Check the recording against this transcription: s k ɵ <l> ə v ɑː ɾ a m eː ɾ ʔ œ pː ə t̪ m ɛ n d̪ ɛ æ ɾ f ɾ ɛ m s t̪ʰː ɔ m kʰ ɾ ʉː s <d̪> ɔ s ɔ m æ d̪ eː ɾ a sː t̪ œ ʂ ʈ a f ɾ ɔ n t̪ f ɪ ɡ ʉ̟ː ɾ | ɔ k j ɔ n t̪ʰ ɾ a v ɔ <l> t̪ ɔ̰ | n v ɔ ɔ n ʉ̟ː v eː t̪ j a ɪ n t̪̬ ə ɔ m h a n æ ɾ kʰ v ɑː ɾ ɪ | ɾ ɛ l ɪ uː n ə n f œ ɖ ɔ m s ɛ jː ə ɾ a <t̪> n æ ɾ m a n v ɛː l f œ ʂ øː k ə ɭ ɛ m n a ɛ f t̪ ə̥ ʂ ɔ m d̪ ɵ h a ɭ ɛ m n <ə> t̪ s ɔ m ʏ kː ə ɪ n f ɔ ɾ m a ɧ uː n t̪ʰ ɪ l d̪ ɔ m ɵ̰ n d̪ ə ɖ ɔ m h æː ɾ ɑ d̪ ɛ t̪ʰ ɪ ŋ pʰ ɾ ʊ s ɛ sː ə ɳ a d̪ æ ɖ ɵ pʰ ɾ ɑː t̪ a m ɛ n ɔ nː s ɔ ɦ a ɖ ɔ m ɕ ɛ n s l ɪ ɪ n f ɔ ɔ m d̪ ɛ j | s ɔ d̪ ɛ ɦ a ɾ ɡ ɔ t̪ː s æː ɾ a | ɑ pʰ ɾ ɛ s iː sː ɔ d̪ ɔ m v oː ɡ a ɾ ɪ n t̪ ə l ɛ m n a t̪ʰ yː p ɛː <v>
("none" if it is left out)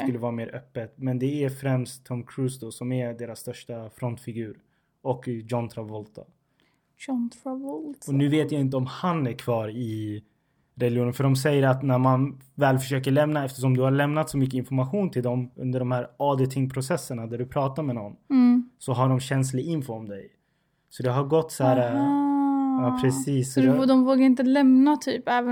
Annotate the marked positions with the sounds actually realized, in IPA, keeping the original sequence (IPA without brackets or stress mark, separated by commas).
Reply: lː, d̪, l, t̪, a, v